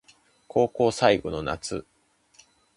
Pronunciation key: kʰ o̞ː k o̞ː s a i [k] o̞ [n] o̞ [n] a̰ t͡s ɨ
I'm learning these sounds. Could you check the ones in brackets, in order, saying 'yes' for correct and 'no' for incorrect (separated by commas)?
no, yes, yes